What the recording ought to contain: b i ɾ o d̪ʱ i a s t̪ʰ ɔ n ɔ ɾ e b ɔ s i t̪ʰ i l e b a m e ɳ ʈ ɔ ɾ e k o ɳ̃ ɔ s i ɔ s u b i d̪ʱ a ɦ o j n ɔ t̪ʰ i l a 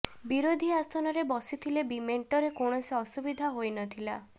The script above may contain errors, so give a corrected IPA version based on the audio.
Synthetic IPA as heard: b i ɾ o d̪ʱ i a s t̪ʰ ɔ n ɔ ɾ e b ɔ s i t̪ʰ i l e b i m e ɳ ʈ ɔ ɾ e k o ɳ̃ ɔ s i ɔ s u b i d̪ʱ a ɦ o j n ɔ t̪ʰ i l a